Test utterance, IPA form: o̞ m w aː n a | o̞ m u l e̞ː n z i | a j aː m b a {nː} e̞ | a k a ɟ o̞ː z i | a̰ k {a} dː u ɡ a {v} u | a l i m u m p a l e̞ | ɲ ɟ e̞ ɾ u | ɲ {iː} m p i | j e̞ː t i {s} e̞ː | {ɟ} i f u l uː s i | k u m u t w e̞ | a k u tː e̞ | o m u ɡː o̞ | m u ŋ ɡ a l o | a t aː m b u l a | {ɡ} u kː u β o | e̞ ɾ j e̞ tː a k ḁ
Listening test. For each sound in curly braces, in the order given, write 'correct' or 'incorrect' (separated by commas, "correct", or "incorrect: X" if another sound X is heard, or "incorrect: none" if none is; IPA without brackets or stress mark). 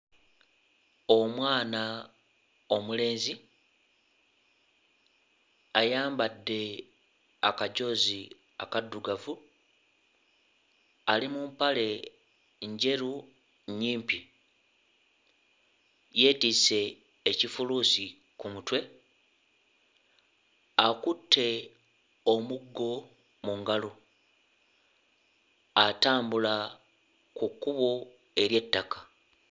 incorrect: dː, correct, correct, correct, correct, incorrect: c, incorrect: k